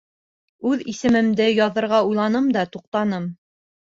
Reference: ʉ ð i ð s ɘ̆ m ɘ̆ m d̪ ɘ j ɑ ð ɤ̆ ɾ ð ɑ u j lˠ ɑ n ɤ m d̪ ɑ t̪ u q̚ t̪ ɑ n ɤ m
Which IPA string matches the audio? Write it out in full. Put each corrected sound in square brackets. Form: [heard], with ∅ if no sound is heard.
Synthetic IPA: ʉ ð i [∅] s ɘ̆ m ɘ̆ m d̪ ɘ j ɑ ð ɤ̆ ɾ [ʁ] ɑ u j lˠ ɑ n ɤ m d̪ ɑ t̪ u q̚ t̪ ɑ n ɤ m